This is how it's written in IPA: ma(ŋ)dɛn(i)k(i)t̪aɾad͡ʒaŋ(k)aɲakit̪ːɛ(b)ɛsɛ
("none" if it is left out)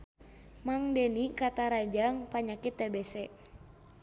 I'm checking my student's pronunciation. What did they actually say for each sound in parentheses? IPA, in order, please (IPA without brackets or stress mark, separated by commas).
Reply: ŋ, i, a, p, b